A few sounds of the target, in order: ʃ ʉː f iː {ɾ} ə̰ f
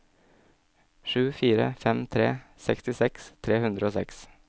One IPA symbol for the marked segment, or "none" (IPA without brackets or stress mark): ɾ